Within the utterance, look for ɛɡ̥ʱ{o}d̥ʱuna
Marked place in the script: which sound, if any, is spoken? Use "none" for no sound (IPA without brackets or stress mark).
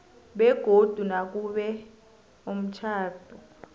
o